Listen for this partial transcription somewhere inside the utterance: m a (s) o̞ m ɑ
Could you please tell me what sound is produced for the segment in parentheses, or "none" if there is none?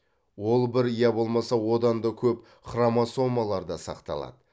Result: s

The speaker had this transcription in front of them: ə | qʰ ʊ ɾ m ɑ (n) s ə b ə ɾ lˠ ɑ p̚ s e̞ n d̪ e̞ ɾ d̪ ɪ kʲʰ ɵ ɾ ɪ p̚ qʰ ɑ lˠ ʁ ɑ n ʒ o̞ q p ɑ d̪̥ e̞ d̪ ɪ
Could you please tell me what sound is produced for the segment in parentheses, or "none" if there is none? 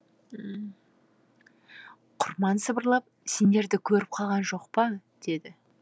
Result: n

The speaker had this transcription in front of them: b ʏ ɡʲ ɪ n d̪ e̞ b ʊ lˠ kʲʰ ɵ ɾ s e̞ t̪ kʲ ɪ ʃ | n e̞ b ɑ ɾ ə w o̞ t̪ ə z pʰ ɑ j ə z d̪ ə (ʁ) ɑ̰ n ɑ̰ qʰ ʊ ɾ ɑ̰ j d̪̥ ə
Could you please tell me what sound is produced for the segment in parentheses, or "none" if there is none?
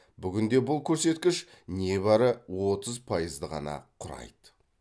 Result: ʁ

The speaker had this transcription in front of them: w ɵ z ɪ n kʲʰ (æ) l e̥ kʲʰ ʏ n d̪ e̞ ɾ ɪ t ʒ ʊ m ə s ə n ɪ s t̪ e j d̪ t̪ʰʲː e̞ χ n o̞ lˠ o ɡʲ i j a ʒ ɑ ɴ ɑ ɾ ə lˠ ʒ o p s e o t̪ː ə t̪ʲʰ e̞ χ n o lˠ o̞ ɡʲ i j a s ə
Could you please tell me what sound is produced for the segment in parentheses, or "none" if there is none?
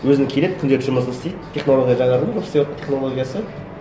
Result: e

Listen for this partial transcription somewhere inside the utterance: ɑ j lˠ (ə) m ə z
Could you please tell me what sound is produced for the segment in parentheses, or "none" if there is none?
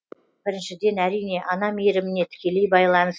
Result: ɑ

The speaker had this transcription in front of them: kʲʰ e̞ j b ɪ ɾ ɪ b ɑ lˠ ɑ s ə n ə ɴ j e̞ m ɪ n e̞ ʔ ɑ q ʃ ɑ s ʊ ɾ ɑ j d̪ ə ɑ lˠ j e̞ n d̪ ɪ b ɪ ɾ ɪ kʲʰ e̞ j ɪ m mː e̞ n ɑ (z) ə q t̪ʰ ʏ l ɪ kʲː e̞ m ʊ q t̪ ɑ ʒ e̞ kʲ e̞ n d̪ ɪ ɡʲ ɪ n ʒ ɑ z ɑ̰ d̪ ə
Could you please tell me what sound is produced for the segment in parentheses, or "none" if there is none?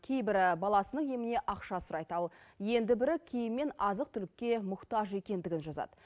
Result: z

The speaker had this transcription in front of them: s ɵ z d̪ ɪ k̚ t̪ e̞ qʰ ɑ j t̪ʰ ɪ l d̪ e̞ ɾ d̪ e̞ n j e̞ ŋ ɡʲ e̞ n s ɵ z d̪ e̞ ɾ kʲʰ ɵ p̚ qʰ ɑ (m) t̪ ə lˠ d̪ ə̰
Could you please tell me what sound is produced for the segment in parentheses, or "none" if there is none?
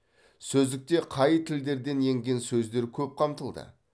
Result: m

